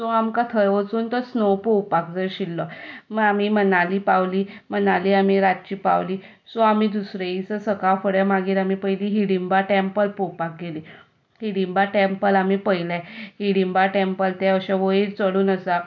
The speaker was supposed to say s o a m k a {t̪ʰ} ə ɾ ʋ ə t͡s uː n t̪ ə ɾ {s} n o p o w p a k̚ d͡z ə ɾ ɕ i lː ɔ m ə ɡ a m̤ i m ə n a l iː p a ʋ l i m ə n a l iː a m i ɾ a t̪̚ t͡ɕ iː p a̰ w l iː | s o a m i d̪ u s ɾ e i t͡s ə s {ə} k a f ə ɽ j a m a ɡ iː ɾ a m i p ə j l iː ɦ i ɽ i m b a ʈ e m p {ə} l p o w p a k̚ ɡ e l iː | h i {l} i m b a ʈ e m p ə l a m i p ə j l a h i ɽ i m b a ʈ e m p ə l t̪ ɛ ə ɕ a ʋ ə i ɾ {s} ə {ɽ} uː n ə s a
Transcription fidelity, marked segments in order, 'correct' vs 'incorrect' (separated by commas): correct, correct, correct, correct, incorrect, incorrect, correct